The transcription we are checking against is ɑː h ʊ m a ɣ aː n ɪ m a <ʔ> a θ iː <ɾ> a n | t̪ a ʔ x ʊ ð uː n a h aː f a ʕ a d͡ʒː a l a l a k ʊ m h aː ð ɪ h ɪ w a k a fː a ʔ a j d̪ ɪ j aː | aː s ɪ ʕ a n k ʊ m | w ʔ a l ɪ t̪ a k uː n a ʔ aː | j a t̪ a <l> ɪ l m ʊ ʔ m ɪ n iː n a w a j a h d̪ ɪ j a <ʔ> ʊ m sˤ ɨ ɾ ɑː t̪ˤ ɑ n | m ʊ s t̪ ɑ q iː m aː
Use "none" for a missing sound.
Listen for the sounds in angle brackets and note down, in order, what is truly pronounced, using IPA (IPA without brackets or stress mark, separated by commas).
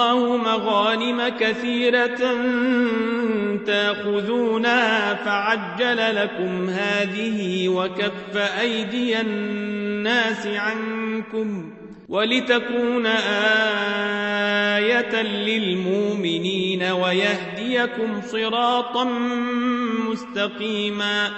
k, ɾ, l, k